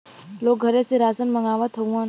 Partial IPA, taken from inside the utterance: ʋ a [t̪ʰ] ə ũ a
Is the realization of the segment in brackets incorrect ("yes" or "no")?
no